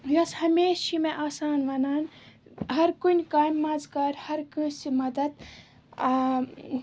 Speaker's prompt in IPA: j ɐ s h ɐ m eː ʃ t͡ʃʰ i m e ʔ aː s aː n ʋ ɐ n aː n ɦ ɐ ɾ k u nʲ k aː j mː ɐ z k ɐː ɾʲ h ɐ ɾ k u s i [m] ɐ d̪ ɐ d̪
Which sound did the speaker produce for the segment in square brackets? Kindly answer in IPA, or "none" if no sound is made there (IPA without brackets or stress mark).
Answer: m